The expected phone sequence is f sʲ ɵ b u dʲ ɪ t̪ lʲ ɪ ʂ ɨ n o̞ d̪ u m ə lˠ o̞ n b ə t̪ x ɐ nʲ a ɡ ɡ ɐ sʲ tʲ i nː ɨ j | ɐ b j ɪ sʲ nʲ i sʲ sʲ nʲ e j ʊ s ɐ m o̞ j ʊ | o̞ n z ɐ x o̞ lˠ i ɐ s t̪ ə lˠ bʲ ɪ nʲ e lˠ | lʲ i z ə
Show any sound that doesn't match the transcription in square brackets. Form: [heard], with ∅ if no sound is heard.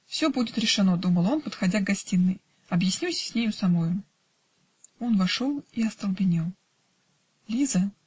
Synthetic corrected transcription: f sʲ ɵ b u dʲ ɪ t̪ [ɾʲ] ɪ ʂ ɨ n o̞ d̪ u m ə lˠ o̞ n [p] ə t̪ x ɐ [dʲ] a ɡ ɡ ɐ sʲ tʲ i nː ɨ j | ɐ b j ɪ sʲ nʲ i sʲ sʲ nʲ e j ʊ s ɐ m o̞ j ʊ | o̞ n [v] ɐ [ʂ] o̞ lˠ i ɐ s t̪ ə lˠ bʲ ɪ nʲ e lˠ | lʲ i z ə